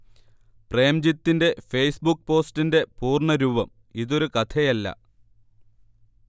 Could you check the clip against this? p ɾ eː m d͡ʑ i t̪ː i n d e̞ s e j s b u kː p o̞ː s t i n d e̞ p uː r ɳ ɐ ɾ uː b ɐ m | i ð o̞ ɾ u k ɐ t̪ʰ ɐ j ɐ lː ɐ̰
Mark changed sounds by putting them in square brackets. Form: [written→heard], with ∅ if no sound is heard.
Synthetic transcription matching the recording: p [ɾ→r] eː m d͡ʑ i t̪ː i n d e̞ [s→f] e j s b u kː p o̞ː s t i n d e̞ p uː r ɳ ɐ ɾ uː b ɐ m | i ð o̞ ɾ u k ɐ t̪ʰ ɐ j ɐ lː ɐ̰